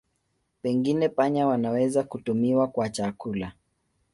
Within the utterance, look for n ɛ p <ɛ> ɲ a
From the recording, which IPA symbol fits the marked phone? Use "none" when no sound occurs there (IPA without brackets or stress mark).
a